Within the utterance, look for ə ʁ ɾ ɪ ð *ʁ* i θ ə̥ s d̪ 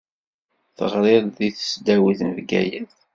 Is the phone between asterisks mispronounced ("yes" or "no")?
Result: yes